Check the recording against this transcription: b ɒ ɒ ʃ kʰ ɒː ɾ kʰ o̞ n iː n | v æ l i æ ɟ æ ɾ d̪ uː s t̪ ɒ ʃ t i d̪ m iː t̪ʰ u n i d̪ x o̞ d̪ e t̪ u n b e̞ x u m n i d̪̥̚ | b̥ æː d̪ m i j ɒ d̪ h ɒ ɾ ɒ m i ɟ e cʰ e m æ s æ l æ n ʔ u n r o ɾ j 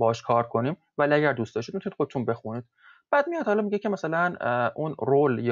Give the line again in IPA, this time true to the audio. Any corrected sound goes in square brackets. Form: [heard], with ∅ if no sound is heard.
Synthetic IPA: b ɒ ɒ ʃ kʰ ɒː ɾ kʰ o̞ n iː [m] | v æ l i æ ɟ æ ɾ d̪ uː s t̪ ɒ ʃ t i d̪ m [i] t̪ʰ u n i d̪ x o̞ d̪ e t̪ u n b e̞ x u [∅] n i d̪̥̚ | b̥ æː d̪ m i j ɒ d̪ h ɒ [l] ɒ m i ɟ e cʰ e m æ s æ l æ n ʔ u n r o [l] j